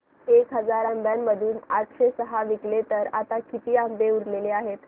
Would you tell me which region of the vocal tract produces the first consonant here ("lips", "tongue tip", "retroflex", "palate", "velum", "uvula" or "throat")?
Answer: velum